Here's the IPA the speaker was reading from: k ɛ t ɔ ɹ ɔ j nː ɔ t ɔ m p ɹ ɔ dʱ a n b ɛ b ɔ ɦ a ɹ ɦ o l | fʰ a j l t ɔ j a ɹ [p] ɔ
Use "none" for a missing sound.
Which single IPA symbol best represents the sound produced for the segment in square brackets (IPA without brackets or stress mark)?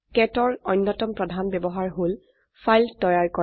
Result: k